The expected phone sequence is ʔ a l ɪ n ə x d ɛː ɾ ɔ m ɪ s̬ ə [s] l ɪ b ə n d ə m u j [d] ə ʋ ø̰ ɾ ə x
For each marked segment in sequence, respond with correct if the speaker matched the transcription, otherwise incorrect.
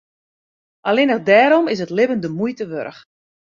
incorrect: t, incorrect: t

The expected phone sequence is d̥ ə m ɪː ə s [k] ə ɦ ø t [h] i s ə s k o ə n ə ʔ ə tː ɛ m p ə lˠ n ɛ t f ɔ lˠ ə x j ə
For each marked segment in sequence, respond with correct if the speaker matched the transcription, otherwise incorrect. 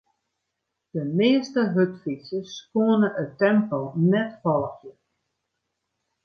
incorrect: t, incorrect: f

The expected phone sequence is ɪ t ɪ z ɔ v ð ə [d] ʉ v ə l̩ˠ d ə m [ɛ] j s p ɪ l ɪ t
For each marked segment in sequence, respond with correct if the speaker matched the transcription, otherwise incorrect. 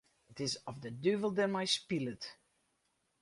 correct, incorrect: a

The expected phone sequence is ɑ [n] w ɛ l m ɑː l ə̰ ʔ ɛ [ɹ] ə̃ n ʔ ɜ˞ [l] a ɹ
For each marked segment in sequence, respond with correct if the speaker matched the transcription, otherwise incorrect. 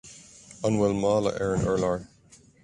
correct, correct, correct

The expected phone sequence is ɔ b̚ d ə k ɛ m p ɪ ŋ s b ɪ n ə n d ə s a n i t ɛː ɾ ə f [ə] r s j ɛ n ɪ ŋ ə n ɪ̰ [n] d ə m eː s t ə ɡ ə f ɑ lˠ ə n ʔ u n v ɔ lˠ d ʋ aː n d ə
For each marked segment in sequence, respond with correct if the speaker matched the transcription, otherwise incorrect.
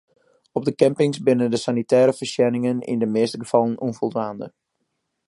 correct, correct

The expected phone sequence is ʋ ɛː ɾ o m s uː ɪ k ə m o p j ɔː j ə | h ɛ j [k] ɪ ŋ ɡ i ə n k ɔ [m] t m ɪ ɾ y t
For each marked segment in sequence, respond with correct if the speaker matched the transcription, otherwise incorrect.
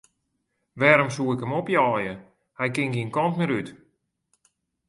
correct, incorrect: n

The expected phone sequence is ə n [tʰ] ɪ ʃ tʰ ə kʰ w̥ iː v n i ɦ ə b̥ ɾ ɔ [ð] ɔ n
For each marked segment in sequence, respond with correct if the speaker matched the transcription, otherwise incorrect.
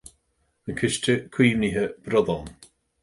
incorrect: kʰ, correct

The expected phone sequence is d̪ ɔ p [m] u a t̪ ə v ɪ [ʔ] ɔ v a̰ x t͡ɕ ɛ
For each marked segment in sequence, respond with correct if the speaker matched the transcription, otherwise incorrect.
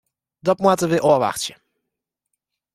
correct, correct

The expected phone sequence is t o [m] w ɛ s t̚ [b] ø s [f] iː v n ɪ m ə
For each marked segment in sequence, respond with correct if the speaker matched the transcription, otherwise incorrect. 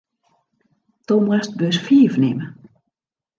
correct, correct, correct

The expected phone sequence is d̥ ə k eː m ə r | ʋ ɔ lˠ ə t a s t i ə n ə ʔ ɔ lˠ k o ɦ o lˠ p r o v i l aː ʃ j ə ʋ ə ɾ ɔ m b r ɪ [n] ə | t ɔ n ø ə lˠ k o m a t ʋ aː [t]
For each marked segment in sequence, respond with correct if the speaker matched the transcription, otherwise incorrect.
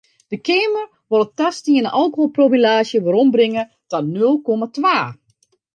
incorrect: ŋ, incorrect: none

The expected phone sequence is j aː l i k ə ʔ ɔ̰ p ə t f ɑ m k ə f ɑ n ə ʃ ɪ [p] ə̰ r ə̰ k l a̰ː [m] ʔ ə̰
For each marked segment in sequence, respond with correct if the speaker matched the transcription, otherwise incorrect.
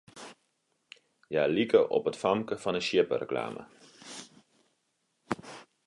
correct, correct

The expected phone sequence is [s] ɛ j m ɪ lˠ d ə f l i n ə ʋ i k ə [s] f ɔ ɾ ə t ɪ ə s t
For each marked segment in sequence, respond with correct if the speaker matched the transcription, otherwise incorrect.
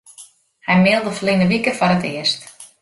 incorrect: h, incorrect: none

